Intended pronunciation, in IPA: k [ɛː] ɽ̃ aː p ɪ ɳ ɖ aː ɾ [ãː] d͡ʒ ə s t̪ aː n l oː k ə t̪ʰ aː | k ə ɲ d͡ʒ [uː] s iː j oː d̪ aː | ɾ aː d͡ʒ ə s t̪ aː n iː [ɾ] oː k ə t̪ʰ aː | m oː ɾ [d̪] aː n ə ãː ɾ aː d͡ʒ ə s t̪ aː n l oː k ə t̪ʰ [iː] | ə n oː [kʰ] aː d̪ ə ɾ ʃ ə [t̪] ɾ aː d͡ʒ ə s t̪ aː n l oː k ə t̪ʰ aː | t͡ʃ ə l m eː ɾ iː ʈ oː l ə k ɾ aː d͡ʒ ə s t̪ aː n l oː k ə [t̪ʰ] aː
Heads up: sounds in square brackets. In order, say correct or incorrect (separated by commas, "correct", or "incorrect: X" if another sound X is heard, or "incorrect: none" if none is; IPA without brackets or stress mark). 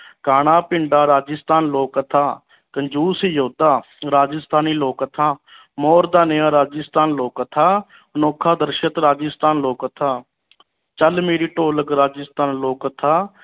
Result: incorrect: aː, incorrect: aː, correct, incorrect: l, correct, incorrect: aː, correct, correct, correct